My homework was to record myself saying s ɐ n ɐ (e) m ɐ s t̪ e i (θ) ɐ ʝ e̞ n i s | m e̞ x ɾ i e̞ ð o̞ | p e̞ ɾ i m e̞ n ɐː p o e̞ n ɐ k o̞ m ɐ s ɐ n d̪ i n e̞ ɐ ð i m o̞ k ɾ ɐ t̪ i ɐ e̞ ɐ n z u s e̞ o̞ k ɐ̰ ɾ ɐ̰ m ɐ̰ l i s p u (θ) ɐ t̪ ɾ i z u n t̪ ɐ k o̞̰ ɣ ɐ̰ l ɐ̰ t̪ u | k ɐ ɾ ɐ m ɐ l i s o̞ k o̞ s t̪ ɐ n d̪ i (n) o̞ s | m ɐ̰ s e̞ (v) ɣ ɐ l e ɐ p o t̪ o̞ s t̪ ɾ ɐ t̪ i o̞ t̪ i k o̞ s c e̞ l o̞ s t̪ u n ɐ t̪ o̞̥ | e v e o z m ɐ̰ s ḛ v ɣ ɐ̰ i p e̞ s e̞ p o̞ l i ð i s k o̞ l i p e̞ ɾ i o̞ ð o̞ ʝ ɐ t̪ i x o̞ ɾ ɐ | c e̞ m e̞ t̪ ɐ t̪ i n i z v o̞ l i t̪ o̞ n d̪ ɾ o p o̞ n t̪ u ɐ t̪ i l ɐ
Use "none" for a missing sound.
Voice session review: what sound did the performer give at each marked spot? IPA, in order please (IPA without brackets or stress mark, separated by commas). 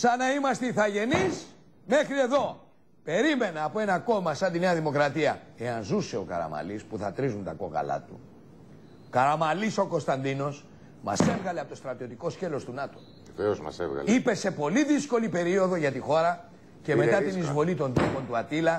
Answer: i, θ, θ, n, v